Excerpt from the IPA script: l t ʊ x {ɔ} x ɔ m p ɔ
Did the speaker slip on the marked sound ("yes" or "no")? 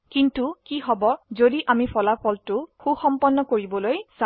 yes